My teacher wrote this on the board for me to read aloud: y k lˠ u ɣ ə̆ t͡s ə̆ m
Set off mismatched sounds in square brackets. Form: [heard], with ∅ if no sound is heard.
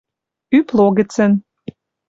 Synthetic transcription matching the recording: y [p] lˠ [o] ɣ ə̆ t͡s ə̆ [n]